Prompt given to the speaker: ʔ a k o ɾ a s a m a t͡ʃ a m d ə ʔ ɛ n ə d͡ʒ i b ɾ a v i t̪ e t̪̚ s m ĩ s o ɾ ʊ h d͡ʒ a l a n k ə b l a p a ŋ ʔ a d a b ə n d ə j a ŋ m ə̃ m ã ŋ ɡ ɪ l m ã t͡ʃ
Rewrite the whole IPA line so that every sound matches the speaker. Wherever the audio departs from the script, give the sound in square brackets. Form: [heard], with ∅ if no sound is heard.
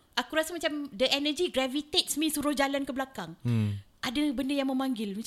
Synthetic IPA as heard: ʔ a k [u] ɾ a s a m a t͡ʃ a m d ə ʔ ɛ n ə d͡ʒ i [ɡ] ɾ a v i t̪ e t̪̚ s m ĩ s [u] ɾ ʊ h d͡ʒ a l a n k ə b l a [k] a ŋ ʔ a d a b ə n d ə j a ŋ m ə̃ m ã ŋ ɡ ɪ l m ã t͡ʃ